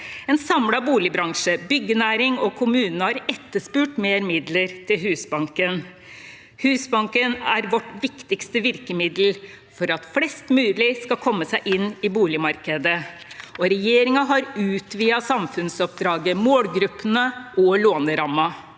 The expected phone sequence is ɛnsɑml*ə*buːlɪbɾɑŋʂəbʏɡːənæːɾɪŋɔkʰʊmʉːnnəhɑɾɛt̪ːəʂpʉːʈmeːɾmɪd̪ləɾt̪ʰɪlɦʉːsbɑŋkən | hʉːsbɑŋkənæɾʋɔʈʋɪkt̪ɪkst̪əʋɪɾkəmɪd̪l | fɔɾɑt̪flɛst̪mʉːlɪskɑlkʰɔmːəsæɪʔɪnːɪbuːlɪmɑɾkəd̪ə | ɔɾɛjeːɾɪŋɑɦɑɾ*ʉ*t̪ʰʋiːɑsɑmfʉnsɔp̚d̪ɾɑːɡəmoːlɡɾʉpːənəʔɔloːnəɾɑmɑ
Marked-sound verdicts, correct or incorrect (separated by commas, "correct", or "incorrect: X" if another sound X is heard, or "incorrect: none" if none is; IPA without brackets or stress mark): incorrect: ɑ, incorrect: ʉː